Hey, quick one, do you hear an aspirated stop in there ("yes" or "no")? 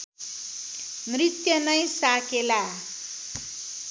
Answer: no